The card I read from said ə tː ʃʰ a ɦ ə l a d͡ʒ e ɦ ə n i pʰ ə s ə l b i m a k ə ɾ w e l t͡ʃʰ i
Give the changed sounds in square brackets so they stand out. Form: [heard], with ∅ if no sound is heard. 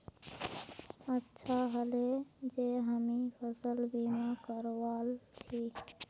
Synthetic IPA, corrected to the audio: ə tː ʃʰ a ɦ ə l [e] d͡ʒ e ɦ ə [m] i pʰ ə s ə l b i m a k ə ɾ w [a] l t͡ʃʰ i

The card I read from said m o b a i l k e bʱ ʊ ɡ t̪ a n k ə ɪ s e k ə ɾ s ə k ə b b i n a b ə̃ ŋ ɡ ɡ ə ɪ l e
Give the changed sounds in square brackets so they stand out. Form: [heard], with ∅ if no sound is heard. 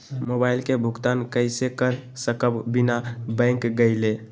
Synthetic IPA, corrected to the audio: m o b a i l k e bʱ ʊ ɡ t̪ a n k ə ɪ s e k ə ɾ s ə k ə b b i n a b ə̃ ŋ [k] ɡ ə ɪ l e

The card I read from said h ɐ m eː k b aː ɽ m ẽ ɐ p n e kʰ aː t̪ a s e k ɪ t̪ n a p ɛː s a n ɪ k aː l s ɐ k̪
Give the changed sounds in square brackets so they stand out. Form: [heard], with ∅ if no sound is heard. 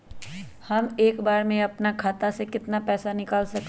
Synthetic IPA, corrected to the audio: h ɐ m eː k b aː [ɾ] m ẽ ɐ p n [a] kʰ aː t̪ a s e k ɪ t̪ n a p ɛː s a n ɪ k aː l s ɐ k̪

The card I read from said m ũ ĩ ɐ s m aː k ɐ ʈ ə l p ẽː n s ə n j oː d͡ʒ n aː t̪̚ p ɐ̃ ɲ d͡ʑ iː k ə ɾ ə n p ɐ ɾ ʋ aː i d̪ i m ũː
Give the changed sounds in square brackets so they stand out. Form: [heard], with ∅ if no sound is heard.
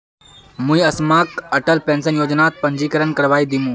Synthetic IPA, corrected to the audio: m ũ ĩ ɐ s m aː k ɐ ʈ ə l p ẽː n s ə n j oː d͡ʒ n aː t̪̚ p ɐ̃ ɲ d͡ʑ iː k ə ɾ ə n [k] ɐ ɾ ʋ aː i d̪ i m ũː

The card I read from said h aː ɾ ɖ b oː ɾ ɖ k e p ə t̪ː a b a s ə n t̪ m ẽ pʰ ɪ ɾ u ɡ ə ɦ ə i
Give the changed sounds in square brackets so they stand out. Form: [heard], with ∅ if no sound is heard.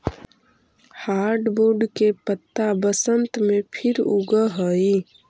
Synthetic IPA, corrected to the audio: h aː ɾ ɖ b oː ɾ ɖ k e p ə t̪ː a b [ə] s ə n t̪ m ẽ pʰ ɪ ɾ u ɡ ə ɦ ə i

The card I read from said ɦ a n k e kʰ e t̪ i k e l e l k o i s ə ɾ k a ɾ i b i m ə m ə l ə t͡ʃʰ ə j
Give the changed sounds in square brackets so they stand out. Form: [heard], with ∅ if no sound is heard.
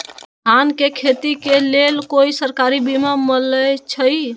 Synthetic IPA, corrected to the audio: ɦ a n k e kʰ e t̪ i k e l e l k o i s ə ɾ k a ɾ i b i m [a] m ə l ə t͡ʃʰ ə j

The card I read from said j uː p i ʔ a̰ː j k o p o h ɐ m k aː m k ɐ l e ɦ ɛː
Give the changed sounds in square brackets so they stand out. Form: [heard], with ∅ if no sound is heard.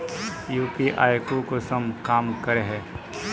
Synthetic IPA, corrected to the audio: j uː p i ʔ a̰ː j k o [k] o [s] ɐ m k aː m k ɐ [ɾ] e ɦ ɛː

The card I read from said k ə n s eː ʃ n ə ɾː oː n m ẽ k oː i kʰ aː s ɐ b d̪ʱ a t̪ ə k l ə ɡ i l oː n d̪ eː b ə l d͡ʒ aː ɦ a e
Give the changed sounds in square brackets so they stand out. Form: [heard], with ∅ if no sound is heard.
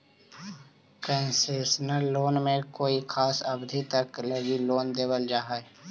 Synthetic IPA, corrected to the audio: k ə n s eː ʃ n ə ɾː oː n m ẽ k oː i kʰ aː s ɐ b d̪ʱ [i] t̪ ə k l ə ɡ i l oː n d̪ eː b ə l d͡ʒ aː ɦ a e

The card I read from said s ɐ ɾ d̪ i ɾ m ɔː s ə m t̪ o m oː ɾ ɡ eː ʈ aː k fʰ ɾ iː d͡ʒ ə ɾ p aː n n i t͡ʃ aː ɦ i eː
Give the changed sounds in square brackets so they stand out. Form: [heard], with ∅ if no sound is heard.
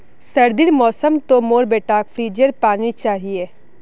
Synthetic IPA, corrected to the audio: s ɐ ɾ d̪ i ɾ m ɔː s ə m t̪ o m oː ɾ [b] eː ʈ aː k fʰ ɾ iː d͡ʒ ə ɾ p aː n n i t͡ʃ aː ɦ i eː

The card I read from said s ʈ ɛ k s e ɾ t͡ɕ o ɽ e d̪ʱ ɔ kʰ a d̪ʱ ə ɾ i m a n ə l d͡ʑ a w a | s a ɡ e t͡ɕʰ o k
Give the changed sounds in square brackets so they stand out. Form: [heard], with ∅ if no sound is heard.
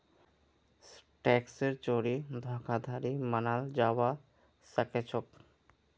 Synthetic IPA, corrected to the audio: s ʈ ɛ k s e ɾ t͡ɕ o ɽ [i] d̪ʱ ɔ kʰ a d̪ʱ [a] ɾ i m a n [a] l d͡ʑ a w a | s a [k] e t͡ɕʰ o k

